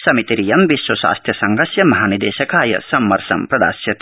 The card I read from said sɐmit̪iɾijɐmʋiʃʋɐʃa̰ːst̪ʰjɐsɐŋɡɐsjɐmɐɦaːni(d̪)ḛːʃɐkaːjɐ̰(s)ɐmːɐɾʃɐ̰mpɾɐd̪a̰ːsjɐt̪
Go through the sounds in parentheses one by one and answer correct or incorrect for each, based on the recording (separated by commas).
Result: correct, correct